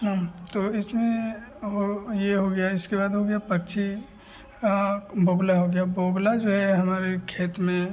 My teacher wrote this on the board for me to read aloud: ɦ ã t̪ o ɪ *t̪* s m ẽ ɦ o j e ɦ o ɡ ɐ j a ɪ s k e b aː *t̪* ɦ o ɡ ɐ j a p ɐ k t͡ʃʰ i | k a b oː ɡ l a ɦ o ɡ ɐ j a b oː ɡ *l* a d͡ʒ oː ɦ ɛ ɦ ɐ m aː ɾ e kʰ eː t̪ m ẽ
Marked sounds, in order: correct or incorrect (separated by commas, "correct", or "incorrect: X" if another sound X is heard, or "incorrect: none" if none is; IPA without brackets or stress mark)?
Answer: incorrect: none, incorrect: d̪, correct